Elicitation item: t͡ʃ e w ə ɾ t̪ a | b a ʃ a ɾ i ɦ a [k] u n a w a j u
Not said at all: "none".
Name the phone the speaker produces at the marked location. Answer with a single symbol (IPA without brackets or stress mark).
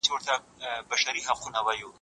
q